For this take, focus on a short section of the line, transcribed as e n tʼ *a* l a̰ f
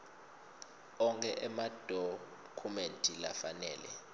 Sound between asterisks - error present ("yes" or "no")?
yes